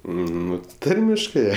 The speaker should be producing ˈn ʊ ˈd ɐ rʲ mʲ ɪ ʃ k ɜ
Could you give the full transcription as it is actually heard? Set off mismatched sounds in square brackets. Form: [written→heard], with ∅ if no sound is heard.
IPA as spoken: ˈn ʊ [ˈd→ˈt] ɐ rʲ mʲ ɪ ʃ k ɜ